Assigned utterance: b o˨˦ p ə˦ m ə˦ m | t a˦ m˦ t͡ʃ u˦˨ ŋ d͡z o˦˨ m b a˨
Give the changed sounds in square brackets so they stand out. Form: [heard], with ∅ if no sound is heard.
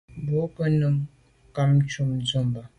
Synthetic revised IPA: b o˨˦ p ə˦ [n] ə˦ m | [k] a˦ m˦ t͡ʃ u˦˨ [m] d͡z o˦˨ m b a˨